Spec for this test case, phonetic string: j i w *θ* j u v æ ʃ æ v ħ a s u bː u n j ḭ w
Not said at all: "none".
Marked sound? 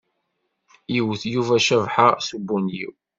θ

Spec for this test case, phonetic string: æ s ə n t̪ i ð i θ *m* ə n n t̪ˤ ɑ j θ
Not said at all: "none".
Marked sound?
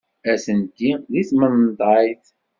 m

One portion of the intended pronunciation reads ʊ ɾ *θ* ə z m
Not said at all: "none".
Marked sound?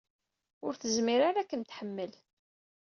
θ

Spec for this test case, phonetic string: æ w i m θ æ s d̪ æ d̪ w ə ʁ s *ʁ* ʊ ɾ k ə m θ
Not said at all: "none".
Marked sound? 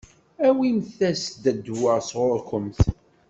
ʁ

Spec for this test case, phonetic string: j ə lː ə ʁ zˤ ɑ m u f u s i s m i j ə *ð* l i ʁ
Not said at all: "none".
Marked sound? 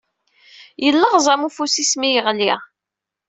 ʁ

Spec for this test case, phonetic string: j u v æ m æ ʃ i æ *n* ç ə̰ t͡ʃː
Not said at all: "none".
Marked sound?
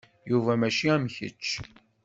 m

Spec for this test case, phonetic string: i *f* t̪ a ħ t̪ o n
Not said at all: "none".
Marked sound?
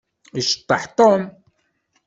ʃ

